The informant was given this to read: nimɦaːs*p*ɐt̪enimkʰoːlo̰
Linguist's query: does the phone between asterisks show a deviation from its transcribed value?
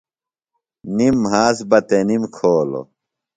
yes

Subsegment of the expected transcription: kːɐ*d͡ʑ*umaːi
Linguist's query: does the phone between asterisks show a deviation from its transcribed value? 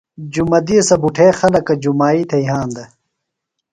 no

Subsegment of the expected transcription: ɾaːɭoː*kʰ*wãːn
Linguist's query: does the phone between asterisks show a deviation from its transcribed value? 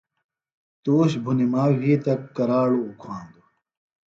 no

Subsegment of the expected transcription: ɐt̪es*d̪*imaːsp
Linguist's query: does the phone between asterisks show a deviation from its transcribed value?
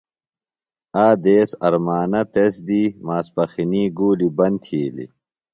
no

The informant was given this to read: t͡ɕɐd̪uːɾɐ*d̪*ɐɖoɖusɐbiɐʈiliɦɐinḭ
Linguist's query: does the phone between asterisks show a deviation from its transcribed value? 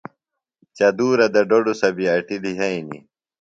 no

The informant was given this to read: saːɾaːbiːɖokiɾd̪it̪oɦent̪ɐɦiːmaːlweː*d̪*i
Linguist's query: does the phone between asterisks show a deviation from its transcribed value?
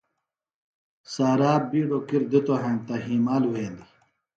no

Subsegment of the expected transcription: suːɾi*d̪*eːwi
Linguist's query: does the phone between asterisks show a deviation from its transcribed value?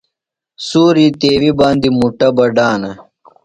yes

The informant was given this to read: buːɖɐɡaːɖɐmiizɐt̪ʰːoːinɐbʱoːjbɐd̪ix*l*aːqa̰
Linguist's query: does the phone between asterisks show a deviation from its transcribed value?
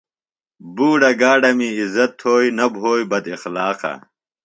no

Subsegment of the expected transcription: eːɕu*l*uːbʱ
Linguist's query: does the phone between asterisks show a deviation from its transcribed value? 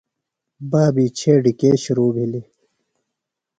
yes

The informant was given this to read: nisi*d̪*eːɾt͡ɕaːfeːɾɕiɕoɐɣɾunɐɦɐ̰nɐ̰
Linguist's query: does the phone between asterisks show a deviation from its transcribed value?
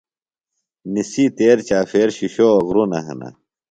yes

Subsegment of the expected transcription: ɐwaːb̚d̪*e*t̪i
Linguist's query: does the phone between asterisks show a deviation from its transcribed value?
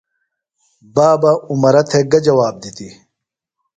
yes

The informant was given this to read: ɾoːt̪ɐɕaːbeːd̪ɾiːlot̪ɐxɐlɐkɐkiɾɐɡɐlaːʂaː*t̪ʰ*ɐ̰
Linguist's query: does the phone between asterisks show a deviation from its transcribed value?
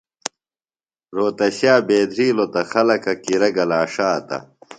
yes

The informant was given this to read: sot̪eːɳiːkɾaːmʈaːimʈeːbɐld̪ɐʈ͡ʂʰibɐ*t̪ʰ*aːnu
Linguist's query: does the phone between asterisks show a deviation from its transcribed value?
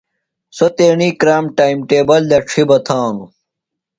no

